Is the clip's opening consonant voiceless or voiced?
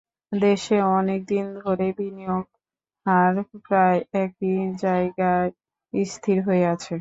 voiced